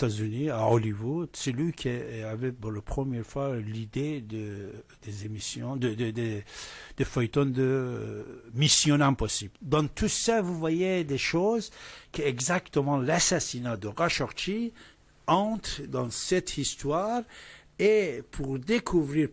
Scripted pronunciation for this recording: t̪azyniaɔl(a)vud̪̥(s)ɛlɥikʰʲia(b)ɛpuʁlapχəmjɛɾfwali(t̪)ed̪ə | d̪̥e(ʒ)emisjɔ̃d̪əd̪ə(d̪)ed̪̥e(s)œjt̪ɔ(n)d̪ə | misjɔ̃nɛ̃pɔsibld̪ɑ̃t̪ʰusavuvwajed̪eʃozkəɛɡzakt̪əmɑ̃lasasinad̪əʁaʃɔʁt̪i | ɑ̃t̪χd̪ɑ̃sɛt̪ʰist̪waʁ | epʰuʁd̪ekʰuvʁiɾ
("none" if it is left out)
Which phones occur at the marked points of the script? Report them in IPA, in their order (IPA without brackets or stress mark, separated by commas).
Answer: i, s, v, d̪, z, d̪, f, n